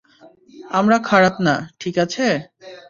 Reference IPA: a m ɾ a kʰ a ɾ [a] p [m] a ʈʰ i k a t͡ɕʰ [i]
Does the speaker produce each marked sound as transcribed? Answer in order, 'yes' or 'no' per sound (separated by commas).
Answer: yes, no, no